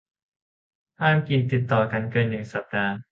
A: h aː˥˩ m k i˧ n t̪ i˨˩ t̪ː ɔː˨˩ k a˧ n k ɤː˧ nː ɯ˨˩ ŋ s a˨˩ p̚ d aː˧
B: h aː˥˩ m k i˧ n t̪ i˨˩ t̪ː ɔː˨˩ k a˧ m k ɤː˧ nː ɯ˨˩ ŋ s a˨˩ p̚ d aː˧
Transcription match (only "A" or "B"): A